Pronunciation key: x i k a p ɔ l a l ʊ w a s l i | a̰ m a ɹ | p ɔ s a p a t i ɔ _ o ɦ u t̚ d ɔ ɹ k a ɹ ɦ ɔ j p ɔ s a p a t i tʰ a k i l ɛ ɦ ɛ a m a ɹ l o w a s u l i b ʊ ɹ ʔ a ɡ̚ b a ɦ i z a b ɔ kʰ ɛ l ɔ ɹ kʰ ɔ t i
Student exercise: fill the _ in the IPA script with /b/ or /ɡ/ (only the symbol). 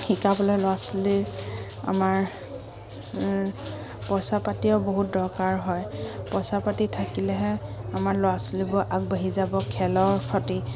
b